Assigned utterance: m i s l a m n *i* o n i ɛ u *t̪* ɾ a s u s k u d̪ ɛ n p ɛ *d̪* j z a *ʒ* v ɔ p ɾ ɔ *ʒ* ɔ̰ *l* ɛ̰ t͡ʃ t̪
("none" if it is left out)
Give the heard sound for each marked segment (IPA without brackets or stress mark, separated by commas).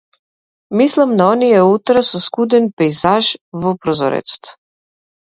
a, t̪, none, ʒ, z, ɾ